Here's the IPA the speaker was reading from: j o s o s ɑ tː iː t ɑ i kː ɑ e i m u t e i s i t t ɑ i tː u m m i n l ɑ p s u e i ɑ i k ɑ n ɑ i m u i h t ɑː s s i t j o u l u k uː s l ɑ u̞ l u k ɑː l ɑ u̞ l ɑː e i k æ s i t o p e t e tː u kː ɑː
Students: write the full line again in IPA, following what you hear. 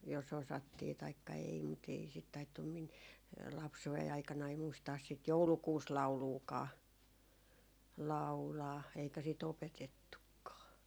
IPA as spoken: j o s o s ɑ tː iː t ɑ i kː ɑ e i m u t e i s i t t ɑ i tː u m m i n l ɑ p s u e i ɑ i k ɑ n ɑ i m u i s t ɑː s s i t j o u l u k uː s l ɑ u̞ l uː k ɑː l ɑ u̞ l ɑː e i k æ s i t o p e t e tː u kː ɑː